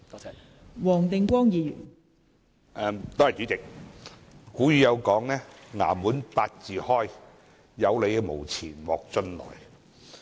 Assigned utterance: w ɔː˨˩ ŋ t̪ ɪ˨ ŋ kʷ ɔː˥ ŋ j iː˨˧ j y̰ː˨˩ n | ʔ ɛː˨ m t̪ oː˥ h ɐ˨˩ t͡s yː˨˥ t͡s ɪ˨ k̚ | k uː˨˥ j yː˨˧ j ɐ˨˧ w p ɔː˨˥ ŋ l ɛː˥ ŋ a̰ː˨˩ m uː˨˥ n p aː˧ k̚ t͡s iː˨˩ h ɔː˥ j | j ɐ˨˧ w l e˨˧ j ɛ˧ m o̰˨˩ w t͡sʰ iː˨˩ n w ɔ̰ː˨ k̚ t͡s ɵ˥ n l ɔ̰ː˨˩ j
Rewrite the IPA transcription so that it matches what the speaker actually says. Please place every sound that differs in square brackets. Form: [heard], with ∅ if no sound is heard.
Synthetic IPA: w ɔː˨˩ ŋ t̪ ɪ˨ ŋ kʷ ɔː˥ ŋ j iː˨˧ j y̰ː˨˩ n | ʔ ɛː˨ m t̪ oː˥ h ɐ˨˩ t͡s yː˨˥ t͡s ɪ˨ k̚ | k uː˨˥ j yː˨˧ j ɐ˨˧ w [k] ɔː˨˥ ŋ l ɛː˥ ŋ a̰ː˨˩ m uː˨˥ n p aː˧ [t̚] t͡s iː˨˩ h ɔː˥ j | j ɐ˨˧ w l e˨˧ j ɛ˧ m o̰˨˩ w t͡sʰ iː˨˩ n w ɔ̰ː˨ k̚ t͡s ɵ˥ n l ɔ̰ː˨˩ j